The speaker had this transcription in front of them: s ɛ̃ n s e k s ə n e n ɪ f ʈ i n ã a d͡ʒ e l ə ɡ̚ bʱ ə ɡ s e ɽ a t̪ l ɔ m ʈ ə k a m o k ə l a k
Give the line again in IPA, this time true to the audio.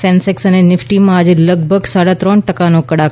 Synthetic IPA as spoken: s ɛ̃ n s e k s ə n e n ɪ f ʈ i m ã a d͡ʒ e l ə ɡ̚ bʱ ə ɡ s a ɽ a t̪ ɾ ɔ ɳ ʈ ə k a n o k ə ɽ a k